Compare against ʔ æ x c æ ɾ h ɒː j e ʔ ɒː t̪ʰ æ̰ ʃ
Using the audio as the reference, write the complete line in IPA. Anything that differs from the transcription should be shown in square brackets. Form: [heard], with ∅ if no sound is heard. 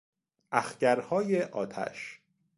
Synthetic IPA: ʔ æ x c æ ɾ h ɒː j e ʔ ɒː t̪ʰ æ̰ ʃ